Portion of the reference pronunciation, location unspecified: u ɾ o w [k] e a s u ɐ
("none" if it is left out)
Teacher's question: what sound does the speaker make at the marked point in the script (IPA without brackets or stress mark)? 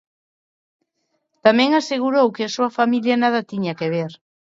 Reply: k